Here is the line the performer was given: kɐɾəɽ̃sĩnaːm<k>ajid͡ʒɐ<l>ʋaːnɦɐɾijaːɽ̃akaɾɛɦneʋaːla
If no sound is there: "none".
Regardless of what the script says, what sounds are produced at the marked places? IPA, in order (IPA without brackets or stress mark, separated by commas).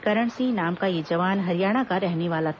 k, none